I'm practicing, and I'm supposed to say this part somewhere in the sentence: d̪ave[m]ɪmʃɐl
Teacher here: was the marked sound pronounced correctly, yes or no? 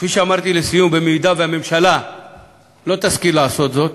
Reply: yes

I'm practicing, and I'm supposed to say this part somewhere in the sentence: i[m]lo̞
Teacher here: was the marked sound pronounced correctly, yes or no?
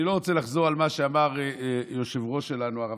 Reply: no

